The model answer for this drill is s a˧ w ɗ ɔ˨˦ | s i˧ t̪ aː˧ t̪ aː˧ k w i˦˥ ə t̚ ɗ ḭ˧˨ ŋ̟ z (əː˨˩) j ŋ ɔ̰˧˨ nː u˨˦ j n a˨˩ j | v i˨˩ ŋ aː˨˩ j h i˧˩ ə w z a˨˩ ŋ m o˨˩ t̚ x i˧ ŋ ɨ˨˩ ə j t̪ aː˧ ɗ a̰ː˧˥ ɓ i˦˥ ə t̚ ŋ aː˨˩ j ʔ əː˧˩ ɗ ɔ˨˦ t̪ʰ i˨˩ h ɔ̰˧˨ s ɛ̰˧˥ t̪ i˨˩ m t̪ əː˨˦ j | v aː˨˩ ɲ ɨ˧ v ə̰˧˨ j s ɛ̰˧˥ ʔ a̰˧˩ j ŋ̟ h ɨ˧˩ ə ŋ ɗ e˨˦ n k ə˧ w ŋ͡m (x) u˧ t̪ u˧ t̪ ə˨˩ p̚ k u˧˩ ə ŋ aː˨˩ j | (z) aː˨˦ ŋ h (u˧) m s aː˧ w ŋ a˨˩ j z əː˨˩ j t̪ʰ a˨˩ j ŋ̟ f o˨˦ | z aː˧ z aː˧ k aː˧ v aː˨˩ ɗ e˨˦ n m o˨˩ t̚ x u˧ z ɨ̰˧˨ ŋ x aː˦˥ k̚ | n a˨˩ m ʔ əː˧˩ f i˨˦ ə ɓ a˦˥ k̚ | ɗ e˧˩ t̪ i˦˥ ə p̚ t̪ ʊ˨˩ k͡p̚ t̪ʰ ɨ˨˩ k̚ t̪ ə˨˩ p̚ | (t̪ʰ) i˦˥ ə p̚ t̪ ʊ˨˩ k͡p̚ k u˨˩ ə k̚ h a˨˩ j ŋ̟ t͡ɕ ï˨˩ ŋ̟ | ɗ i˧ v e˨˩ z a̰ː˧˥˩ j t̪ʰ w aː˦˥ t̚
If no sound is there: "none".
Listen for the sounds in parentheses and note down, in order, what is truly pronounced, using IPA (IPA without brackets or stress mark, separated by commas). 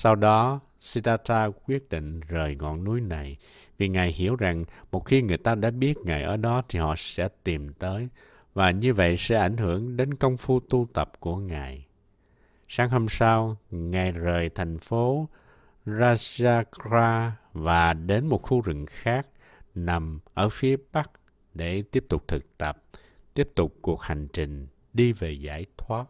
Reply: əː˨˩, f, s, o˧, t̪